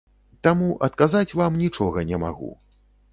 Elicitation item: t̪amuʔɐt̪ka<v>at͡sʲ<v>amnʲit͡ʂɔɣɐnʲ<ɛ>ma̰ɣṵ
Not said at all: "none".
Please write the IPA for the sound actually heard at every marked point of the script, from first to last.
z, v, ɛ

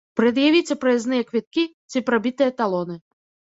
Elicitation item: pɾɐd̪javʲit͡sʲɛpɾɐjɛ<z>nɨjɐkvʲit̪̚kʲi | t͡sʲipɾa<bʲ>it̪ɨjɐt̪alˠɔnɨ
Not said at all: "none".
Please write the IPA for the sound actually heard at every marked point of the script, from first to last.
z, bʲ

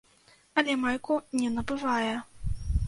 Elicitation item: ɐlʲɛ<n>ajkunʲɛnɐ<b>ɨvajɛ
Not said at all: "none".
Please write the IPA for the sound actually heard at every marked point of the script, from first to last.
m, b

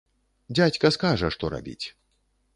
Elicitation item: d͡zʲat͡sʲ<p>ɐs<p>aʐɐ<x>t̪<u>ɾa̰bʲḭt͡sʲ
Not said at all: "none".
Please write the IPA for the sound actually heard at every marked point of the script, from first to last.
k, k, ʂ, ɔ

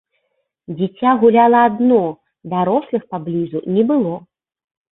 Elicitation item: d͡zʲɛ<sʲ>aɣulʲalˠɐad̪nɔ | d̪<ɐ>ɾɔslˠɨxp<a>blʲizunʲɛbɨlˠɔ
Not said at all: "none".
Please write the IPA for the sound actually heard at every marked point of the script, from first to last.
t͡sʲ, a, a

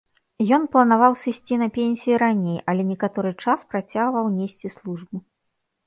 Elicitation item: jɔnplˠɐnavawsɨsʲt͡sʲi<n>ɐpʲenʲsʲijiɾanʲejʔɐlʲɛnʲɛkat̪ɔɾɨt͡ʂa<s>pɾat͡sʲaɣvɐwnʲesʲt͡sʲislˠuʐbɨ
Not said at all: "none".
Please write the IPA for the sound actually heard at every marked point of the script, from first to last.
n, s

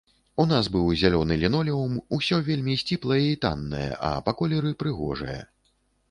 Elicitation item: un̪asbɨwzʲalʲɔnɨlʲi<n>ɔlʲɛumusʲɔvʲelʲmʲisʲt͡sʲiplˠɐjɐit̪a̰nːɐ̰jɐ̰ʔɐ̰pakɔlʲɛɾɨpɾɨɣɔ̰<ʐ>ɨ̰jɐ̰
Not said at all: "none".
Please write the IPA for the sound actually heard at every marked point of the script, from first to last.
n, ʐ

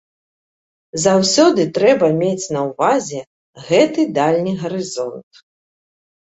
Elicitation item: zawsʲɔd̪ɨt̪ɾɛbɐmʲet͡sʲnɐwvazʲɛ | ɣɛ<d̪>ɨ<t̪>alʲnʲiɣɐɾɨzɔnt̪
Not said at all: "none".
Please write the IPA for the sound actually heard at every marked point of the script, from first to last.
t̪, d̪

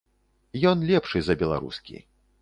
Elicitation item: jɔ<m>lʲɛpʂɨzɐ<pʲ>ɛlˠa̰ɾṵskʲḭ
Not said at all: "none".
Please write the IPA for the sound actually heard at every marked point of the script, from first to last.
n, bʲ

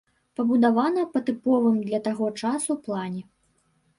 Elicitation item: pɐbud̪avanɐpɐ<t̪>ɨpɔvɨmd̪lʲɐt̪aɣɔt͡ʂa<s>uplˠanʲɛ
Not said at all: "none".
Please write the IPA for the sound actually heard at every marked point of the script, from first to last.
t̪, s

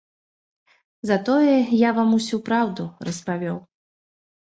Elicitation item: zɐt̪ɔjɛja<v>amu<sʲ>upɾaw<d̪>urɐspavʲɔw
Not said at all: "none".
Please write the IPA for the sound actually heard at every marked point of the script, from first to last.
v, sʲ, d̪

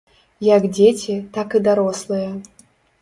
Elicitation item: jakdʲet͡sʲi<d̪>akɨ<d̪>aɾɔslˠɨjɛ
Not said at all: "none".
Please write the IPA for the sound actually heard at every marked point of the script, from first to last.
t̪, d̪

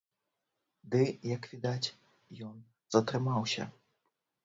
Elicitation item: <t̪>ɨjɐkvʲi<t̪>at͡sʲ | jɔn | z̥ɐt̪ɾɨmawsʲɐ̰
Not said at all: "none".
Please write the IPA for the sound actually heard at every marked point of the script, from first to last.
d̪, d̪

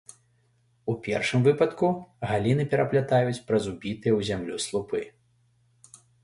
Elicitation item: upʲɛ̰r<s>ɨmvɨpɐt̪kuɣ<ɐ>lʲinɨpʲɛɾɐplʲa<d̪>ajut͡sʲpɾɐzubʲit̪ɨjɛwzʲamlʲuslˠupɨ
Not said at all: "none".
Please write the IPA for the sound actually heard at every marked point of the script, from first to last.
ʂ, a, t̪

